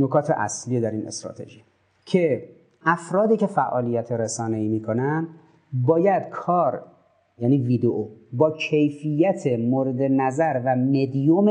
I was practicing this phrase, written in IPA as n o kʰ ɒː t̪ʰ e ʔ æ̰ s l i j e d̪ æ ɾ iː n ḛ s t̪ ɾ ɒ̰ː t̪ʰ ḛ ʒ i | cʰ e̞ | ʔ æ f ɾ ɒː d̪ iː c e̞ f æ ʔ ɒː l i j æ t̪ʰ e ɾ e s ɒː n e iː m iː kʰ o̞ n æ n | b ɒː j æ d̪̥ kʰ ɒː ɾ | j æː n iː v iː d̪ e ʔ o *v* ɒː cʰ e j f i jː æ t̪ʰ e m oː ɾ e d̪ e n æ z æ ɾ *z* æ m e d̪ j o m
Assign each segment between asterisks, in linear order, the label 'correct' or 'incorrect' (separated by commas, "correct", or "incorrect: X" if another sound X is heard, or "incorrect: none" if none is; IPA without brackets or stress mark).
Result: incorrect: b, incorrect: v